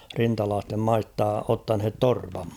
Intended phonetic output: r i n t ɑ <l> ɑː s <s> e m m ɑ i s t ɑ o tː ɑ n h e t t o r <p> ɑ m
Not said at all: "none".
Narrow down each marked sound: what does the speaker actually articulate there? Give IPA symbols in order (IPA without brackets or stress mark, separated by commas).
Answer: l, t, p